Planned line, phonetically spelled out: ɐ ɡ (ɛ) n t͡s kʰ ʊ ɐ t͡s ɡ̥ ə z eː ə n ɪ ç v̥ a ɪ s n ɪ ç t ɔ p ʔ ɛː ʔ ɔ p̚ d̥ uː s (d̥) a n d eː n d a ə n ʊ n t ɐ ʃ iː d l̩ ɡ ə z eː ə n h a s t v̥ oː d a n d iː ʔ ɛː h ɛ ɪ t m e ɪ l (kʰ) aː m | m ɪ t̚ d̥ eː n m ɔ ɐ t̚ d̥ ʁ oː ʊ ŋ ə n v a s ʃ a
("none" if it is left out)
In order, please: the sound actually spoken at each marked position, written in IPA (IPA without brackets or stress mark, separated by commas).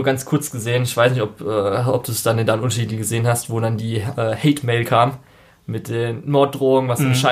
a, d̥, kʰ